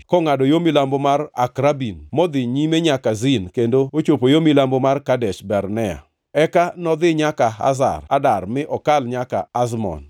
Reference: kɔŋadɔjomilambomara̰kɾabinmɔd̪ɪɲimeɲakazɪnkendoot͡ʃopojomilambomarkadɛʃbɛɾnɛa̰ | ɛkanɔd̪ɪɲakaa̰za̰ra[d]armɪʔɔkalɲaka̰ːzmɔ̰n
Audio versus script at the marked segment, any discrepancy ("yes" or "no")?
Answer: no